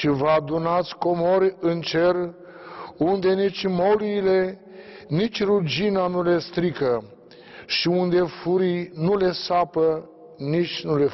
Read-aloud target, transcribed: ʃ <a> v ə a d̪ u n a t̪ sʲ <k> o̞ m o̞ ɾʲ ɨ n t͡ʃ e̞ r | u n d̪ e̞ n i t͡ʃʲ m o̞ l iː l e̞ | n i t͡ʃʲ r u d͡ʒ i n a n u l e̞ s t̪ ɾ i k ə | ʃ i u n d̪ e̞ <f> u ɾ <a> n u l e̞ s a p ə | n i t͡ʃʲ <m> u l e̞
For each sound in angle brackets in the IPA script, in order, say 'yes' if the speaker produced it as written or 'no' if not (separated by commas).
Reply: no, yes, yes, no, no